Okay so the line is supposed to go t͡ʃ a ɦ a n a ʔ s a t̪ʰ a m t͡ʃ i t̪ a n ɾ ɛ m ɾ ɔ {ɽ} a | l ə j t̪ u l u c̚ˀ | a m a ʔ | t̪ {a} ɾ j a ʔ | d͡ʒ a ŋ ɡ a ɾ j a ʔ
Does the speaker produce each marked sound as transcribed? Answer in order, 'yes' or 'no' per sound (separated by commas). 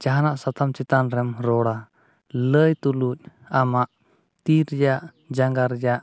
yes, no